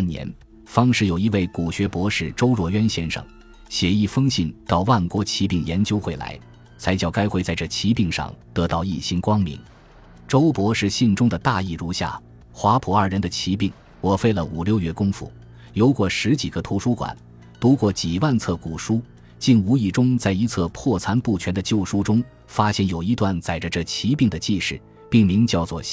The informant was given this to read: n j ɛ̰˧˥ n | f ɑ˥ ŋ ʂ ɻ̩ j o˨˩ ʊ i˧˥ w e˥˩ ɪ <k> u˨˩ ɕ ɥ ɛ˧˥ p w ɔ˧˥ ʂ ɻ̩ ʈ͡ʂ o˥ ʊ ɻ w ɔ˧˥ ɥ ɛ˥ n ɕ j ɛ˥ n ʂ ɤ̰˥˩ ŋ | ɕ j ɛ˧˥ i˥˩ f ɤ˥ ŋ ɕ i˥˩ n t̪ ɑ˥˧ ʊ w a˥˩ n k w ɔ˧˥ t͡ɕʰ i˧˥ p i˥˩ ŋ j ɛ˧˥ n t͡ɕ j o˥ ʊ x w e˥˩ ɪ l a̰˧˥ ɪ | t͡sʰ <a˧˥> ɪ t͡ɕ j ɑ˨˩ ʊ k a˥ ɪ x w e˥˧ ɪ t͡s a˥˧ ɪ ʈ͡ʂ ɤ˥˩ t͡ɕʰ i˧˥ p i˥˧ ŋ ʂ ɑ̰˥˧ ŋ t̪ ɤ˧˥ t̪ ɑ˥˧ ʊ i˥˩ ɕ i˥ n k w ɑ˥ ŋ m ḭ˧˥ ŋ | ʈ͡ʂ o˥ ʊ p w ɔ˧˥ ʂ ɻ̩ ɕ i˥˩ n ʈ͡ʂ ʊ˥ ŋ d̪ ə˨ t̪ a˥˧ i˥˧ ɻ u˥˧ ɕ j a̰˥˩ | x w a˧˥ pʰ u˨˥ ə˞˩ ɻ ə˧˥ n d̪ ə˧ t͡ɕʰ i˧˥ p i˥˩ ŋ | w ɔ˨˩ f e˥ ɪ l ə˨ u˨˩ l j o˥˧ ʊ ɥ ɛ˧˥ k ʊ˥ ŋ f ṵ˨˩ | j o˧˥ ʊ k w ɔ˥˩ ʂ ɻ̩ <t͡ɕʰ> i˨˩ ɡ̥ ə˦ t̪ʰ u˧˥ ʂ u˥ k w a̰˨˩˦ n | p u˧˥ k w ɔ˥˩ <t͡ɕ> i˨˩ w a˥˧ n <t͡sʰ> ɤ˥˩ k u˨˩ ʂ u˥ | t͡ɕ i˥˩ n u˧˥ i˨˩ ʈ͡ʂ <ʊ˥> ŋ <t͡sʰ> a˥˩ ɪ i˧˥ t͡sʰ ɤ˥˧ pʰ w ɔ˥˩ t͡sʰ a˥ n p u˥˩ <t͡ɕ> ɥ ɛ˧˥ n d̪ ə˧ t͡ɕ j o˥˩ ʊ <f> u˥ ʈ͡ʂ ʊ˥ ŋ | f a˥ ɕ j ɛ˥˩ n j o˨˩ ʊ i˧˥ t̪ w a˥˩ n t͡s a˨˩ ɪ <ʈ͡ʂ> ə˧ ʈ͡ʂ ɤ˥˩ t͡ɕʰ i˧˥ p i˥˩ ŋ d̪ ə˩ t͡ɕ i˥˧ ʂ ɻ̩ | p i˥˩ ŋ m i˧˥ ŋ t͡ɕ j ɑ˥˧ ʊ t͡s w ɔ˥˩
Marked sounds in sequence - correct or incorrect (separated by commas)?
correct, correct, incorrect, correct, correct, correct, incorrect, incorrect, incorrect, correct